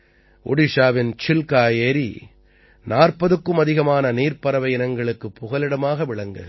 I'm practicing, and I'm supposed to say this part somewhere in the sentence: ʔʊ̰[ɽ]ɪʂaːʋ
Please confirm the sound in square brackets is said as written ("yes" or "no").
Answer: yes